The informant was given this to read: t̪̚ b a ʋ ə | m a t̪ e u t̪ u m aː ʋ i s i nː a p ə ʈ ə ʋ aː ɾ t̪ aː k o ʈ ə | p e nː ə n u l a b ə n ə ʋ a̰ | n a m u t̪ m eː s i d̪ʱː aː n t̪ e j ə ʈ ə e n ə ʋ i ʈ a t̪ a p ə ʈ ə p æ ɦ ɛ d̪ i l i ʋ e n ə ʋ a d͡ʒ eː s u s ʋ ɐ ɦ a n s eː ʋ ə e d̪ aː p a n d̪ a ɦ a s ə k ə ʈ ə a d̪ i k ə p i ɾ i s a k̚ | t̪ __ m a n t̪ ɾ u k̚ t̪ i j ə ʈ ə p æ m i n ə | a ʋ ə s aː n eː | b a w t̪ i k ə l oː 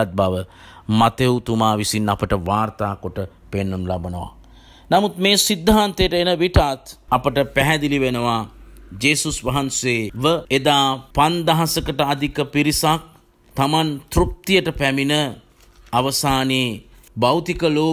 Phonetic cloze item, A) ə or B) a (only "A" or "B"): B